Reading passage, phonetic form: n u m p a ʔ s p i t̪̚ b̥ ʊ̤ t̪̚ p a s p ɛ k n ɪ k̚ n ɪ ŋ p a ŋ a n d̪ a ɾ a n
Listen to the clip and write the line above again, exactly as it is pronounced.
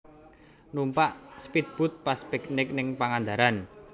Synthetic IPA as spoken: n u m p a ʔ s p i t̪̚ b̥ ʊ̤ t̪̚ p a s p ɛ k n ɪ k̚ n ɪ ŋ p a ŋ a n d̪ a ɾ a n